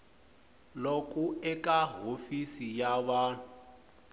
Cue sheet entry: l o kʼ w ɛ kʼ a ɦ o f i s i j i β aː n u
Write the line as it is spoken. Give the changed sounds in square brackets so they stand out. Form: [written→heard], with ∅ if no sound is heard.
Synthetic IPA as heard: l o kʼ [w→u] ɛ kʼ a ɦ o f i s i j [i→a] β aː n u